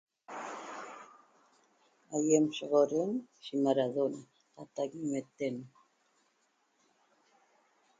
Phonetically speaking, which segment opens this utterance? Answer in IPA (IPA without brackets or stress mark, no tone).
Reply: a